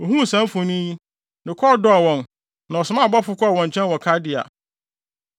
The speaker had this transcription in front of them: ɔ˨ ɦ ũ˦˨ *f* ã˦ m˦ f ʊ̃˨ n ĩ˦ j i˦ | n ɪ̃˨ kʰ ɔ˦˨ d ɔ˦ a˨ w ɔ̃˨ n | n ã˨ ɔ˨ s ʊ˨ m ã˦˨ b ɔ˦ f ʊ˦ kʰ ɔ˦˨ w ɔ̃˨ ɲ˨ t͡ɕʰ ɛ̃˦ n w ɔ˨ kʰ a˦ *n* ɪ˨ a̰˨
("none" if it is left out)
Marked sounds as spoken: s, d

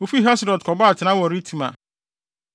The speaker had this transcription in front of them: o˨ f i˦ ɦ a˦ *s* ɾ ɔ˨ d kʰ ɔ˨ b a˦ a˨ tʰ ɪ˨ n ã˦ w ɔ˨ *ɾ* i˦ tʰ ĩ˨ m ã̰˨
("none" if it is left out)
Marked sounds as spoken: s, ɾ

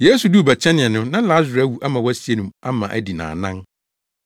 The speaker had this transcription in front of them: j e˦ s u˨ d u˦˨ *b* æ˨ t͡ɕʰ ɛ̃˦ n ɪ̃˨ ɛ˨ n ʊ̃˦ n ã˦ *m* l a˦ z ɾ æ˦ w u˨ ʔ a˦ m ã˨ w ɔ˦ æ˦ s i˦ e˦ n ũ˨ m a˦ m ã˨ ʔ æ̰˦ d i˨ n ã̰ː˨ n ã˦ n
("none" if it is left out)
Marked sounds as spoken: b, none

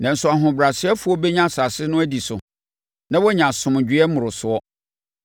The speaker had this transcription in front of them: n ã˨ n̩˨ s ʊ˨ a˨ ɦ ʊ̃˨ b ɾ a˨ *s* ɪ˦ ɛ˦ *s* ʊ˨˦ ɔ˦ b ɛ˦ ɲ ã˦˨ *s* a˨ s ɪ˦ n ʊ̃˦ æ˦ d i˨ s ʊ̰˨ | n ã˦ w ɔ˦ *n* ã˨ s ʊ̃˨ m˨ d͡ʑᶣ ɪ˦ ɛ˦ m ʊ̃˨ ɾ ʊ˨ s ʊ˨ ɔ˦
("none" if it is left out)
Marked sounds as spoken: s, f, s, ɲ

